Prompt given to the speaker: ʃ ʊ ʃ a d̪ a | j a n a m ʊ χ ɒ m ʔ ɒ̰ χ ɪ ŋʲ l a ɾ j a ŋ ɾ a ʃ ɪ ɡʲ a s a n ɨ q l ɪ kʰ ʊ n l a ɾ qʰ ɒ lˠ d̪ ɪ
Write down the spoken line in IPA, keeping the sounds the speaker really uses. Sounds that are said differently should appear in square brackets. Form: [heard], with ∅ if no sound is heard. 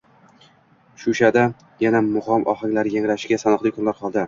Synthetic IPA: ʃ ʊ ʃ a d̪ a | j a n a m ʊ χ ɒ m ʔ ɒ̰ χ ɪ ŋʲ l a ɾ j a ŋ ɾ a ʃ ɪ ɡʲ a s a n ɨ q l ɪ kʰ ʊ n l a ɾ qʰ ɒ lˠ d̪ ɪ